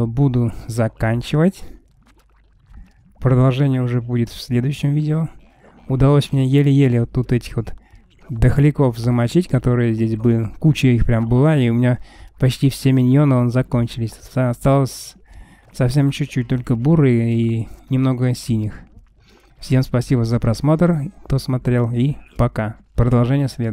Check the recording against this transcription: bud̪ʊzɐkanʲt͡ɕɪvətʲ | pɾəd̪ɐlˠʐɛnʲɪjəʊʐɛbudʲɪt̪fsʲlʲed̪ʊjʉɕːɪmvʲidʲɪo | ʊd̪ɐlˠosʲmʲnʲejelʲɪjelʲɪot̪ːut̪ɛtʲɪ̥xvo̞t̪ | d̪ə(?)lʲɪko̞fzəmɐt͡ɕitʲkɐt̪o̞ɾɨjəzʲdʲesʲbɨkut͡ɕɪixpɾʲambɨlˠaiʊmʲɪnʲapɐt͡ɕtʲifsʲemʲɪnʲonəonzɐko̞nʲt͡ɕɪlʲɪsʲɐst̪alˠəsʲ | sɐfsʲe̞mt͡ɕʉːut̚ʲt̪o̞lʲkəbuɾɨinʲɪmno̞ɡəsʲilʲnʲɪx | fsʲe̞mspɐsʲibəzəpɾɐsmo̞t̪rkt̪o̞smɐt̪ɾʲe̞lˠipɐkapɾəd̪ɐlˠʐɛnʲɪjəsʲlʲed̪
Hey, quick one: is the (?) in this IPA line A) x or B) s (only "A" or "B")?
A